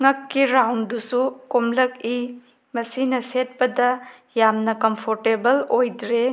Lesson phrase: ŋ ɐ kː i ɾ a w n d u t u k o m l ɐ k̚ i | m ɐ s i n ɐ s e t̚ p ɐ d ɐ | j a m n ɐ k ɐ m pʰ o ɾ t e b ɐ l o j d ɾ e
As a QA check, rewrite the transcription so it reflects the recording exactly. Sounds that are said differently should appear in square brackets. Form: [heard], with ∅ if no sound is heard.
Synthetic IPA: ŋ ɐ kː i ɾ a w n d u [s] u k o m l ɐ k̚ i | m ɐ s i n ɐ s e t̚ p ɐ d ɐ | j a m n ɐ k ɐ m pʰ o ɾ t e b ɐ l o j d ɾ e